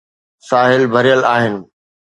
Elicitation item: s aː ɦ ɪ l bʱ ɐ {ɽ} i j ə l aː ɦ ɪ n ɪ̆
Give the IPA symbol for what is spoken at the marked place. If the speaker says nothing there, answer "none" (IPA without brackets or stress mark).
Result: ɾ